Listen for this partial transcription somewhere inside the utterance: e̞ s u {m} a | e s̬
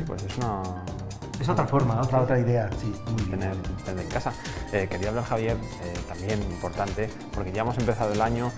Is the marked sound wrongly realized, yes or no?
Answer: yes